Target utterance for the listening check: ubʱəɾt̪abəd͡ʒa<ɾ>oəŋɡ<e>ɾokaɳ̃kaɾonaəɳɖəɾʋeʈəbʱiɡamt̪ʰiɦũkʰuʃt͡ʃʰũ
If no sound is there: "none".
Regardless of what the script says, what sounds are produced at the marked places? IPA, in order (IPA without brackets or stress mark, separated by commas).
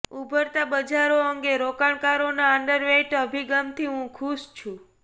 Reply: ɾ, e